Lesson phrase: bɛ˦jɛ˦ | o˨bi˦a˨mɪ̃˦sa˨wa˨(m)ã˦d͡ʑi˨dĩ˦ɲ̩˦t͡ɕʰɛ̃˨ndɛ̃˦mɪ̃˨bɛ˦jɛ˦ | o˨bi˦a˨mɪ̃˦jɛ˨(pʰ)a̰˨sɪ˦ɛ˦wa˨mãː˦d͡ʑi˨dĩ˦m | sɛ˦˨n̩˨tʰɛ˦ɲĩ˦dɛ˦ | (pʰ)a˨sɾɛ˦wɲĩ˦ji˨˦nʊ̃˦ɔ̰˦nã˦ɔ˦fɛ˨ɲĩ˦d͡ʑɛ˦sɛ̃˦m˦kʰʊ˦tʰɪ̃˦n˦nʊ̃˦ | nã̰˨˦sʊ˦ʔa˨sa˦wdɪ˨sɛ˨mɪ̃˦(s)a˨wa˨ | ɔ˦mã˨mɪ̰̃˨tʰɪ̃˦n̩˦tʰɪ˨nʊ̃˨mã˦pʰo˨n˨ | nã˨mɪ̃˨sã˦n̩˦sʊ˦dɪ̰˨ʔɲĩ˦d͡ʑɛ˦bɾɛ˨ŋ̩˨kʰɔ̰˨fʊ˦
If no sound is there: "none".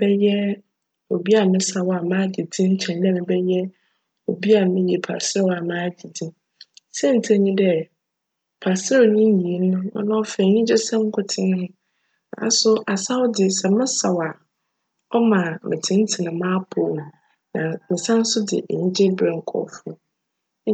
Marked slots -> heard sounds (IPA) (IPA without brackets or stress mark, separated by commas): m, pʰ, pʰ, s